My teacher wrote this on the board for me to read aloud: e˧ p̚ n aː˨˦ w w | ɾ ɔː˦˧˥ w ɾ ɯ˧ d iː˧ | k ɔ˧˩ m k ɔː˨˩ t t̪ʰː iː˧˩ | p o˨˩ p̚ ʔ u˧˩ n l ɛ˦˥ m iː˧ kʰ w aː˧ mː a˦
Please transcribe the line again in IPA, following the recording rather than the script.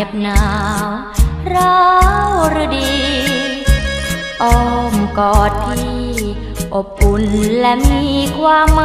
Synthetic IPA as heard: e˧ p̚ n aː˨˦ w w | ɾ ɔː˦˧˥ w ɾ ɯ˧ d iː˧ | ʔ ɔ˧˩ m k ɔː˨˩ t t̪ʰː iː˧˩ | ʔ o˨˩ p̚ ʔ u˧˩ n l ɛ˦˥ m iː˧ kʰ w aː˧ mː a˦